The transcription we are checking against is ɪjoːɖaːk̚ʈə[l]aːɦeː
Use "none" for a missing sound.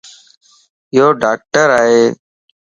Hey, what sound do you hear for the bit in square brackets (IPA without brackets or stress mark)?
ɾ